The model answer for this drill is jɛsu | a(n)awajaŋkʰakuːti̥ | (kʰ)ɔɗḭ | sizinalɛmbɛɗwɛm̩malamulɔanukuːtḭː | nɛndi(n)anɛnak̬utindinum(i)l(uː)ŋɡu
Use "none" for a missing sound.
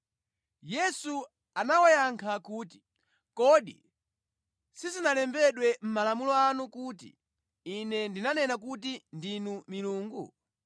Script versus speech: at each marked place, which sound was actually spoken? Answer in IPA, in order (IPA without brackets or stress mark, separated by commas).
n, k, n, i, uː